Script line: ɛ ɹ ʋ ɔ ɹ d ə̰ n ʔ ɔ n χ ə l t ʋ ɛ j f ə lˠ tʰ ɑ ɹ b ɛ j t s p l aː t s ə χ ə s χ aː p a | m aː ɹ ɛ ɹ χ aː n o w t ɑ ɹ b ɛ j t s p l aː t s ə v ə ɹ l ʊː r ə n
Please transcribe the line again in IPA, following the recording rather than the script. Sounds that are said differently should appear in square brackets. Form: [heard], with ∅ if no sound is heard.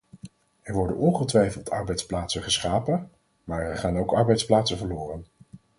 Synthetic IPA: ɛ ɹ ʋ ɔ ɹ d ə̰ n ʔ ɔ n χ ə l t ʋ ɛ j f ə lˠ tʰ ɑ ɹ b ɛ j t s p l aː t s ə χ ə s χ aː p [ə] | m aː ɹ ɛ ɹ χ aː n o w [k] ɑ ɹ b ɛ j t s p l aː t s ə v ə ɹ l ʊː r ə n

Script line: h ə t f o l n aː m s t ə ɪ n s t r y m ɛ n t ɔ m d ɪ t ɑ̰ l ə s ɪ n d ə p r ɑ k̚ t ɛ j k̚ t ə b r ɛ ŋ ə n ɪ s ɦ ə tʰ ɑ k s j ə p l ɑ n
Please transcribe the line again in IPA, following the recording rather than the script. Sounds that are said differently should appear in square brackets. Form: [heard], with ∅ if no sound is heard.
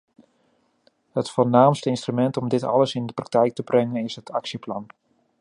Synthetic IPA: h ə t f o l n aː m s t ə ɪ n s t r y m ɛ n t ɔ m d ɪ t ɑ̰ l ə s ɪ n d ə p r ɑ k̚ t ɛ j k̚ t ə b r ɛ ŋ ə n ɪ s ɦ ə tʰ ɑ k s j ə p l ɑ n

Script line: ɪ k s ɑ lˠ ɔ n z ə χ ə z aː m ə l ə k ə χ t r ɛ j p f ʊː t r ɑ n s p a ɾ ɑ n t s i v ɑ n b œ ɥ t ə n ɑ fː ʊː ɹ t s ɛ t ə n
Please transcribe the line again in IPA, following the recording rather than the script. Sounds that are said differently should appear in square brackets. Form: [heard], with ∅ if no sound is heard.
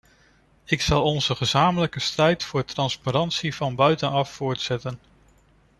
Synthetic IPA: ɪ k s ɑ lˠ ɔ n z ə χ ə z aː m ə l ə k ə [s] t r ɛ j [t] f ʊː t r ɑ n s p a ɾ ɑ n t s i v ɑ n b œ ɥ t ə n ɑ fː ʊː ɹ t s ɛ t ə n

